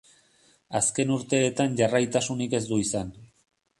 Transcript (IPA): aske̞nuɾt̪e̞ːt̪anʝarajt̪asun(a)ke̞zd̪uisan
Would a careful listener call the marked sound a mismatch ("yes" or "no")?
yes